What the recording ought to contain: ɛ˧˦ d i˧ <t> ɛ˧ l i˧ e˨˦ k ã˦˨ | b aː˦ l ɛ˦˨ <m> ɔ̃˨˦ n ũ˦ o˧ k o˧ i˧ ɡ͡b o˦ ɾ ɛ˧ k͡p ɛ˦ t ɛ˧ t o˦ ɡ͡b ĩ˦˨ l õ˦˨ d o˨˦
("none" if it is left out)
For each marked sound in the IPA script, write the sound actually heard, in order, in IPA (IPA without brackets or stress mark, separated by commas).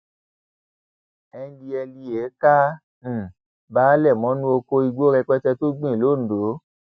none, m